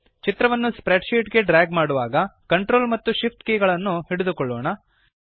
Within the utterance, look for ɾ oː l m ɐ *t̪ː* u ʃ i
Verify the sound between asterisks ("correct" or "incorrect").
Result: correct